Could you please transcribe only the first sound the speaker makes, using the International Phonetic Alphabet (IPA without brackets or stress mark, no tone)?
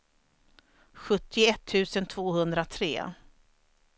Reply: ɧ